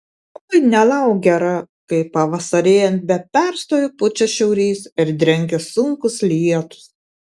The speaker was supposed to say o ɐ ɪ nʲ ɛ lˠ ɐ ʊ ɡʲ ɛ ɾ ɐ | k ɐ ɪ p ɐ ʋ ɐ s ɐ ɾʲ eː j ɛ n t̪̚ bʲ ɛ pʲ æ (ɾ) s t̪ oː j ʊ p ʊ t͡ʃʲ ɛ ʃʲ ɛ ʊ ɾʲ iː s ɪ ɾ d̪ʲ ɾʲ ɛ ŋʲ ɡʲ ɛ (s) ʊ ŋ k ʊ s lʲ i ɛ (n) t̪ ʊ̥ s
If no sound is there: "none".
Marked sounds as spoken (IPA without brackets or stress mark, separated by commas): ɾ, s, none